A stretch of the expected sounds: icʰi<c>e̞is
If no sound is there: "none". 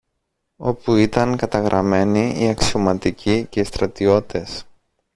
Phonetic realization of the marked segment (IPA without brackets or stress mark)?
c